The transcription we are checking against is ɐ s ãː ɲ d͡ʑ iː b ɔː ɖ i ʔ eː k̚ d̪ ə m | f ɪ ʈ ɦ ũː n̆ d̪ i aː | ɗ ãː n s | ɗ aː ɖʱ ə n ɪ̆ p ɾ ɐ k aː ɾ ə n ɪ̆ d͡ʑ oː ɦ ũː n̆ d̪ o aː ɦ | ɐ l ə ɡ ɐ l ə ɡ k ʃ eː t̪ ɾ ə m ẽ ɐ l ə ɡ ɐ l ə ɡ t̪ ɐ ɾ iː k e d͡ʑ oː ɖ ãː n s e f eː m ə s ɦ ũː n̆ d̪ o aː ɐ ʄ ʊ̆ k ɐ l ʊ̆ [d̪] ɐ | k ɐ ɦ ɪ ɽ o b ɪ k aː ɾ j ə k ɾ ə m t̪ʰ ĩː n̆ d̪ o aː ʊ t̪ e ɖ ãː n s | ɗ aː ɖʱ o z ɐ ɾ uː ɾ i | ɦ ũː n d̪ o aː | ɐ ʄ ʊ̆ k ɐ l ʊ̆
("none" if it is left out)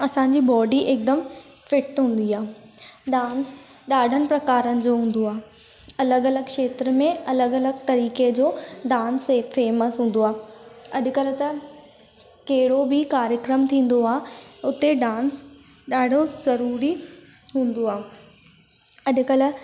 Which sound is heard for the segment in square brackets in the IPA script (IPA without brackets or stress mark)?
t̪